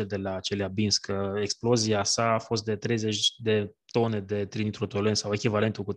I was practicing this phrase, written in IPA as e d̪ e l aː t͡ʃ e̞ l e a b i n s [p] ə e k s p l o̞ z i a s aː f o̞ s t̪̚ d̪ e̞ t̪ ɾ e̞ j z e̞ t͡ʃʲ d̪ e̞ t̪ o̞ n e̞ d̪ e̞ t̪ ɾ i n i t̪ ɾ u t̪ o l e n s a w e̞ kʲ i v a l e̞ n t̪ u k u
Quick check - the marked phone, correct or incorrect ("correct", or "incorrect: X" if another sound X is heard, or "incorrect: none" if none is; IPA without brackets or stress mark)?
incorrect: k